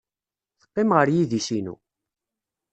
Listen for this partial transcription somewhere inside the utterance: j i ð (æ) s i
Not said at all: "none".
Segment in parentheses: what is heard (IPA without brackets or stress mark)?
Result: i